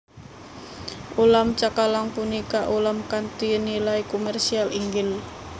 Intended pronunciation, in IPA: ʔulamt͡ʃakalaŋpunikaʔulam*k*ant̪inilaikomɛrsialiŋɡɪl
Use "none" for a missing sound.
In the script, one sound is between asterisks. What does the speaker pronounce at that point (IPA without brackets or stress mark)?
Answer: k